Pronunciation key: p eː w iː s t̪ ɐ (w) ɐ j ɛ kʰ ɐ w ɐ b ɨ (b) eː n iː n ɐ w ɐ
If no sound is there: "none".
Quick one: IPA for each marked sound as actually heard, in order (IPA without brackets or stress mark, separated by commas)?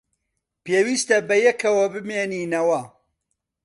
b, m